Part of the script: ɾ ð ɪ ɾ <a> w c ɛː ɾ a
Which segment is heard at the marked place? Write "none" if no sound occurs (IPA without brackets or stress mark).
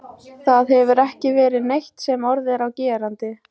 a